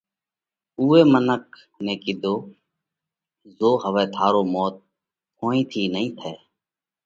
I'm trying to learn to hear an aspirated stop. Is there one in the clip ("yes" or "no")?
yes